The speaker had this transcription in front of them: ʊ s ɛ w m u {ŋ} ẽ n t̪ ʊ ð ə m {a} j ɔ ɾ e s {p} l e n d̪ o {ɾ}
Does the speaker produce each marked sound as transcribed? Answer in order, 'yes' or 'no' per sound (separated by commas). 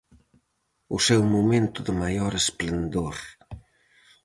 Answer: no, yes, yes, yes